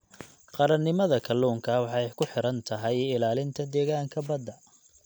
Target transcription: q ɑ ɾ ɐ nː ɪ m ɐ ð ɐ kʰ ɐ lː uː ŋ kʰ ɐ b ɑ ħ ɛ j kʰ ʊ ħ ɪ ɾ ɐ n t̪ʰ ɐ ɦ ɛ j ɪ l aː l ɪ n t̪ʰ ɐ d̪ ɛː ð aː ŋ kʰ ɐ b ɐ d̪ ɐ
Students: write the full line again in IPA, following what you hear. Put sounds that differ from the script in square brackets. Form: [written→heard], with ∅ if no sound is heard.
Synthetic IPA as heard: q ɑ ɾ ɐ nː ɪ m ɐ ð ɐ kʰ ɐ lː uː ŋ kʰ ɐ [b→w] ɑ ħ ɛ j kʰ ʊ ħ ɪ ɾ ɐ n t̪ʰ ɐ ɦ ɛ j ɪ l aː l ɪ n t̪ʰ ɐ d̪ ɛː [ð→ɣ] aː ŋ kʰ ɐ b ɐ d̪ ɐ